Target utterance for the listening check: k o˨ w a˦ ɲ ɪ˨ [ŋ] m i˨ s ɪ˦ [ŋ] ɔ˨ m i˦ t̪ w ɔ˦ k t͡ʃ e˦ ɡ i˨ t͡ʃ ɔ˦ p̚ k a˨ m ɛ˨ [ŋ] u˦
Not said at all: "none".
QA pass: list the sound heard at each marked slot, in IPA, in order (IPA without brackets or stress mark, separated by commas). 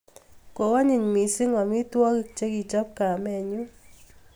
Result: ɲ, ŋ, ɲ